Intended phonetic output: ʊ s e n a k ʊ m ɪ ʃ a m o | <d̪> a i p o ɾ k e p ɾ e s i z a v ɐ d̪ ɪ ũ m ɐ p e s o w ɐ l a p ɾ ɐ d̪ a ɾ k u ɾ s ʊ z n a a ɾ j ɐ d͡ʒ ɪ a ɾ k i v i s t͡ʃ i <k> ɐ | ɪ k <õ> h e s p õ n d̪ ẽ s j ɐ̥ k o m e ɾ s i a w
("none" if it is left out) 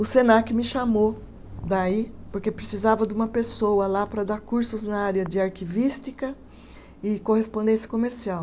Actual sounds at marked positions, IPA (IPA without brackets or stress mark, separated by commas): d̪, k, o